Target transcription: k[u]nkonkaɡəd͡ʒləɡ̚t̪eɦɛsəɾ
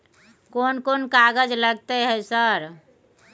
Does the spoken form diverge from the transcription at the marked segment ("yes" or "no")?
yes